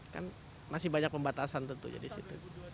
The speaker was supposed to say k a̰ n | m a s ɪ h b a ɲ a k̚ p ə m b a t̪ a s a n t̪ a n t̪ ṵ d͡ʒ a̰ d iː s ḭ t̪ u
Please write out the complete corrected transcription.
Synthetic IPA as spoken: k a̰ n | m a s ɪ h b a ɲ a k̚ p ə m b a t̪ a s a n t̪ ə n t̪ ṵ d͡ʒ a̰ d i s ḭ t̪ u

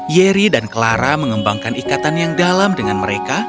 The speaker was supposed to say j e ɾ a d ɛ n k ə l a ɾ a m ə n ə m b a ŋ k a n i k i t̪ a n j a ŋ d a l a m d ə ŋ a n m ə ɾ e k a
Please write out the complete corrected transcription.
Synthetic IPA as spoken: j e ɾ i d a n k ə l a ɾ a m ə ŋ ə m b a ŋ k a n i k a t̪ a n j a ŋ d a l a m d ə ŋ a n m ə ɾ e k a

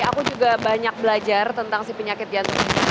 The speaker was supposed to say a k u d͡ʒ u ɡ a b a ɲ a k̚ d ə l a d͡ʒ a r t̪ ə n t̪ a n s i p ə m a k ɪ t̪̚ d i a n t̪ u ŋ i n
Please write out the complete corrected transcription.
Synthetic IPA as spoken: a k u d͡ʒ u ɡ a b a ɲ a k̚ b ə l a d͡ʒ a r t̪ ə n t̪ a ŋ s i p ə ɲ a k ɪ t̪̚ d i a n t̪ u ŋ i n

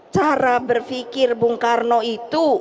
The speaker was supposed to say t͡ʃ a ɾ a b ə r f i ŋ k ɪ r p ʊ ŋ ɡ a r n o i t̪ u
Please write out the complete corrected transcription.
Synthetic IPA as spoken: t͡ʃ a ɾ a b ə r f i k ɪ r b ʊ ŋ k a r n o i t̪ u

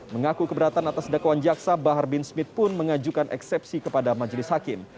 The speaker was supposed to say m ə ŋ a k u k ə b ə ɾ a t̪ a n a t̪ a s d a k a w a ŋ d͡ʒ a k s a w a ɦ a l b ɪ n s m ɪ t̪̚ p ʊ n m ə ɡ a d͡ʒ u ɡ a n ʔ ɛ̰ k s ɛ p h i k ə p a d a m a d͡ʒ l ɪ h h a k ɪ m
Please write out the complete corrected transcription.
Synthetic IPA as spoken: m ə ŋ a k u k ə b ə ɾ a t̪ a n a t̪ a s d a k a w a n d͡ʒ a k s a b a ɦ a r b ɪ n s m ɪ t̪̚ p ʊ n m ə ŋ a d͡ʒ u k a n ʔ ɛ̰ k s ɛ p s i k ə p a d a m a d͡ʒ l ɪ s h a k ɪ m

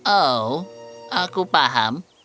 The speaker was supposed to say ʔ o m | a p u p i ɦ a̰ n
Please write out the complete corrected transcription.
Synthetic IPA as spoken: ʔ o | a k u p a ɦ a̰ m

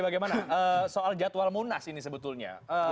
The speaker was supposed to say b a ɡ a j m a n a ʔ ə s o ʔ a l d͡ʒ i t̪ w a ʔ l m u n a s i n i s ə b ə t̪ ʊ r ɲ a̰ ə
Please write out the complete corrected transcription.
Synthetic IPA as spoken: b a ɡ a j m a n a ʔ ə s o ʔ a l d͡ʒ a t̪ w a l m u n a s i n i s ə b ə t̪ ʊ l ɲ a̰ ə

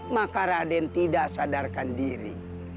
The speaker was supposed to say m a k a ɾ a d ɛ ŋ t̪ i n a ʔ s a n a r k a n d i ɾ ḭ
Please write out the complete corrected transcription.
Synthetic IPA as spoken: m a k a ɾ a d ɛ n t̪ i d a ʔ s a d a r k a n d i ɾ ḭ

